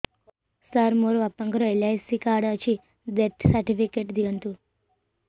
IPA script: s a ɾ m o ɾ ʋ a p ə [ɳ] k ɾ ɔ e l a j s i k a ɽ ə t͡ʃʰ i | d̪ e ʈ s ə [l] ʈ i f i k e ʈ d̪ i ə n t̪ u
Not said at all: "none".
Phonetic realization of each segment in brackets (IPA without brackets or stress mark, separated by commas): ŋ, ɾ